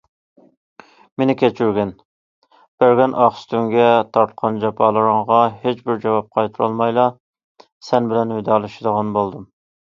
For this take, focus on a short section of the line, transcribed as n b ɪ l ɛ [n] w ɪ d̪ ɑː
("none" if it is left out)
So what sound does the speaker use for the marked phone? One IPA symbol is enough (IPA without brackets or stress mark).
n